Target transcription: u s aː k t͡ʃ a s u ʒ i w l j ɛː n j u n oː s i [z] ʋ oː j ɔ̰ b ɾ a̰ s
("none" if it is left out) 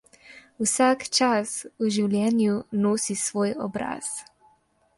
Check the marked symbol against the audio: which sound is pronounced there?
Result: s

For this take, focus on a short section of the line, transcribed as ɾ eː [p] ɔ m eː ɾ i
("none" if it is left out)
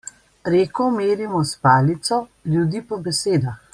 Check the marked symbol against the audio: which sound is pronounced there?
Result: k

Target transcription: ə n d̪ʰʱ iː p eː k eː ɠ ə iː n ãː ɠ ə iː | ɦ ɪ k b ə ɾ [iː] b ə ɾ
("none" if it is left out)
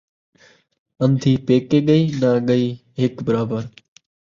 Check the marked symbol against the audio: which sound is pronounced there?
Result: aː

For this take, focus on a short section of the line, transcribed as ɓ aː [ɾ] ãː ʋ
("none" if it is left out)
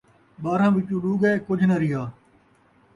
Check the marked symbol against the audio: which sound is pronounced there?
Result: ɾ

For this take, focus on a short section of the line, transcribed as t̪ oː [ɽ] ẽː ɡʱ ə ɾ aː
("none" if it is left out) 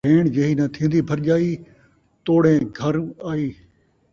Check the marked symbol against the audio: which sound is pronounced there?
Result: ɽ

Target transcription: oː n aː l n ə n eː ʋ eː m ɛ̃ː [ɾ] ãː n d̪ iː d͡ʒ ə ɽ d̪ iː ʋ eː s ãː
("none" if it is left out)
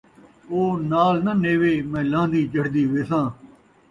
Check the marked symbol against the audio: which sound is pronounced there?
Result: l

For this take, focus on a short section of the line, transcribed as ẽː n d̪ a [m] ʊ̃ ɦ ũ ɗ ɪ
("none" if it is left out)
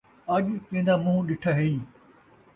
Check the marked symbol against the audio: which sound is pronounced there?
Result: m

